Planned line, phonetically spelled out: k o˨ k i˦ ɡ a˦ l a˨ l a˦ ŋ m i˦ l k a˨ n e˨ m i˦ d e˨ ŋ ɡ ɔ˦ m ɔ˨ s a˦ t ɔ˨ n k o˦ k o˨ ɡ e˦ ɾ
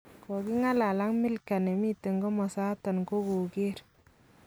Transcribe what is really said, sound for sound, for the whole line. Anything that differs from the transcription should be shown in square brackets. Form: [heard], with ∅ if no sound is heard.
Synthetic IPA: k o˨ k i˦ [ŋ] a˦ l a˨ l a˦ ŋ m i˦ l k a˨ n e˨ m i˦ [t] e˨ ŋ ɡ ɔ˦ m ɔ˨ s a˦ t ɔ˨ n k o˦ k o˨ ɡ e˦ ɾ